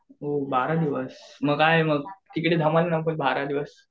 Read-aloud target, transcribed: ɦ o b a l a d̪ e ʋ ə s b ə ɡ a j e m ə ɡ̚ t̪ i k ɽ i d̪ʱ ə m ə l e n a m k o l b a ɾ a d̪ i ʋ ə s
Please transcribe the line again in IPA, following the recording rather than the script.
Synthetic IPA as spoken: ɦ o b a ɾ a d̪ i ʋ ə s m ə ɡ a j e m ə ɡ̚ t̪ i k ɽ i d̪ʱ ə m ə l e n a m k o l b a ɾ a d̪ i ʋ ə s